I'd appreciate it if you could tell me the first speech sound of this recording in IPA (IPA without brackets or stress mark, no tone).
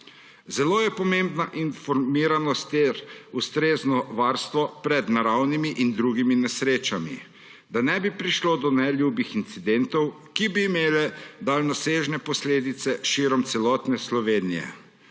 z